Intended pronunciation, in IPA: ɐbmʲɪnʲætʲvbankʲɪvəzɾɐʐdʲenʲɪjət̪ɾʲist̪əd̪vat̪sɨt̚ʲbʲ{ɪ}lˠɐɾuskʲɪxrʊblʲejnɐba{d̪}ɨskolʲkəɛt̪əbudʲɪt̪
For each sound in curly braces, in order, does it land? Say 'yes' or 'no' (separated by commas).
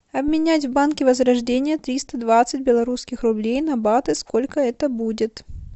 yes, no